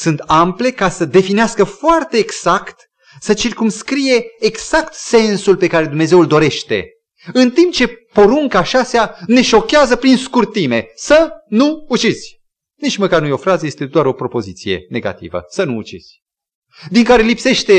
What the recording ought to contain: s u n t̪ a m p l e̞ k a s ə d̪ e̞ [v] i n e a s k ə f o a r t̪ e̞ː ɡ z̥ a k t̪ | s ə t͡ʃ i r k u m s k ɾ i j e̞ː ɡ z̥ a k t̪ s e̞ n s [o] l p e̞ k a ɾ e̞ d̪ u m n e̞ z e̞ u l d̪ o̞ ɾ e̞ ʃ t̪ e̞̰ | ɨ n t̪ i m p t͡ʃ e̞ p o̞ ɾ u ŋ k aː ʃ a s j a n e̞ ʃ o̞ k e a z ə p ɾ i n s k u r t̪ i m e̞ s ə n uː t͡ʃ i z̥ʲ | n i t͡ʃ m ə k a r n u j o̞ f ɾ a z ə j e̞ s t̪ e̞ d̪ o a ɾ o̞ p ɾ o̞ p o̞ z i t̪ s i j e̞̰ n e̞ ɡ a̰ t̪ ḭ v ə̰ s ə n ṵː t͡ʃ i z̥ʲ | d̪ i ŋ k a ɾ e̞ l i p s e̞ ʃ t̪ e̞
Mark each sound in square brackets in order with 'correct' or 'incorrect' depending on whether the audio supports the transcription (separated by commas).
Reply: incorrect, incorrect